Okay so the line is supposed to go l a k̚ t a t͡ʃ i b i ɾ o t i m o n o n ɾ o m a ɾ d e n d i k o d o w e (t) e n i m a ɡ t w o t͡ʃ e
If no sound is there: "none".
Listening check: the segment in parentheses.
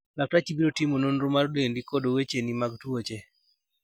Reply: t͡ʃ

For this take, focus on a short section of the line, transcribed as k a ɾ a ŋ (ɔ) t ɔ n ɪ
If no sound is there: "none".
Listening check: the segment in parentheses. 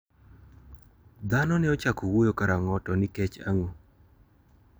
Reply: ɔ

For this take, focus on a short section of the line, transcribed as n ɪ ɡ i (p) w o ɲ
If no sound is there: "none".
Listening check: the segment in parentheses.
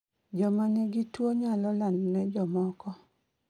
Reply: t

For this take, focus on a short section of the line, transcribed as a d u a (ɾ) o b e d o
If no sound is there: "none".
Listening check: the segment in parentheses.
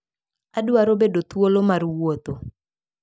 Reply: ɾ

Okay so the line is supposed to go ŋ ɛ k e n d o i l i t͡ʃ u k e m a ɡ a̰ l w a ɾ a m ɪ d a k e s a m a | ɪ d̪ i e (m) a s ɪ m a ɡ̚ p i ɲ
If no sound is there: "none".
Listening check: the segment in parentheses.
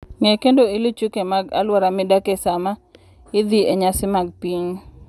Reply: ɲ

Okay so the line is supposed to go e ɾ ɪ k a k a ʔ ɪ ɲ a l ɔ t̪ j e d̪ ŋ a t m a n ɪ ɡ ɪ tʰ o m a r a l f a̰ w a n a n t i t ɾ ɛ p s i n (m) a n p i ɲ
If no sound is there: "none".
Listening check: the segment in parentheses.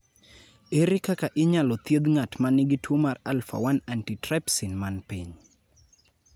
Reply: m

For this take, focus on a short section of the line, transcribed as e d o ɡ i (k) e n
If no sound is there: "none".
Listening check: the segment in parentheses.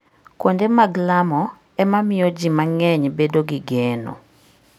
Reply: ɡ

